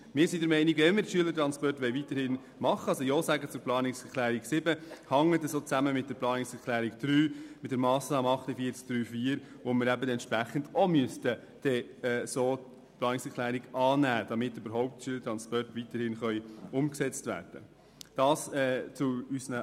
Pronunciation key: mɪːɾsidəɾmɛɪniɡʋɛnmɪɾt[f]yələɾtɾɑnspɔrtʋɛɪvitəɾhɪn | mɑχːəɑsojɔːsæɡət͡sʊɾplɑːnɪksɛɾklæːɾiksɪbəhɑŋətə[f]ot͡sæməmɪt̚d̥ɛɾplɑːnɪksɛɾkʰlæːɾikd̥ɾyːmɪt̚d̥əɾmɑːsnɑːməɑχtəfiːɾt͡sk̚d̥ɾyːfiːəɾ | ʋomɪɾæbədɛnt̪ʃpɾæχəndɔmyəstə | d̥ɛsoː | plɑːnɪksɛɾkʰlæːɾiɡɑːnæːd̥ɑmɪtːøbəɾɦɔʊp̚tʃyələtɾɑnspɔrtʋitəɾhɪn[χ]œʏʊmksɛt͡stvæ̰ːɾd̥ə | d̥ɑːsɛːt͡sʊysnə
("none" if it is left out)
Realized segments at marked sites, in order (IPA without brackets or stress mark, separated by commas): ʃ, s, χ